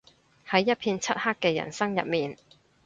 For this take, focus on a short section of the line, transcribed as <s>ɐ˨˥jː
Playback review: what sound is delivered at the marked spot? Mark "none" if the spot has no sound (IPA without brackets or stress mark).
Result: h